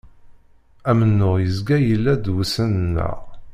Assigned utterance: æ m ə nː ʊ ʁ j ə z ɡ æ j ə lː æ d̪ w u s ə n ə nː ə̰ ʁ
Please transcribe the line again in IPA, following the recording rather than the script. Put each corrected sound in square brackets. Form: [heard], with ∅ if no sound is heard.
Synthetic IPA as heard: æ m ə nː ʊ ʁ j ə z ɡ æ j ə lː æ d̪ w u s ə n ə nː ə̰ ʁ